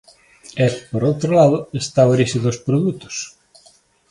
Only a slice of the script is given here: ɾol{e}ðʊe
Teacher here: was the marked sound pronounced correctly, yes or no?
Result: no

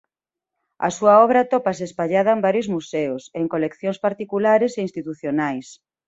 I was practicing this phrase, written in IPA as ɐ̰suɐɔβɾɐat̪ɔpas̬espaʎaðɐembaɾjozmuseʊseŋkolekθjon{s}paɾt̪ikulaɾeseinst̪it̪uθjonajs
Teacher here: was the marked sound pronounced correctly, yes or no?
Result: yes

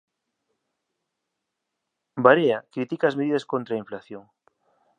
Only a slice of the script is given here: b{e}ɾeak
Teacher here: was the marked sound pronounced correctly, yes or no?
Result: no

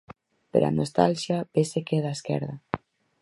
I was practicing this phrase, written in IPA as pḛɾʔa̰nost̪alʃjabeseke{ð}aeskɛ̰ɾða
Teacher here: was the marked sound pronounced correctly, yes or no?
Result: yes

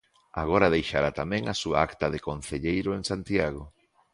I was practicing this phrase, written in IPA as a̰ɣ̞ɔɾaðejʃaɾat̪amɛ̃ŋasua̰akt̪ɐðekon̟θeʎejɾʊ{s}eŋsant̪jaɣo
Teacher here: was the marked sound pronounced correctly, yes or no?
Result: no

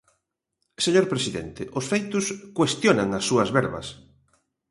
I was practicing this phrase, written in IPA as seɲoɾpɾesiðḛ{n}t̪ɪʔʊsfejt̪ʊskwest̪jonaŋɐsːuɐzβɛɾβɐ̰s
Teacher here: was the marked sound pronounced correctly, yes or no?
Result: yes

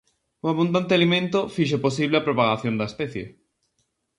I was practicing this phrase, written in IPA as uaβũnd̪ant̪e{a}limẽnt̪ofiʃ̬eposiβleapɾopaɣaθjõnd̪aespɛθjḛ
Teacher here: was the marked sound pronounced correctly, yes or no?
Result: yes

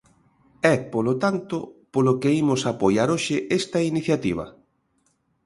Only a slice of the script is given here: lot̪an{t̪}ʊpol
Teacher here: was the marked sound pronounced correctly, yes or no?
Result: yes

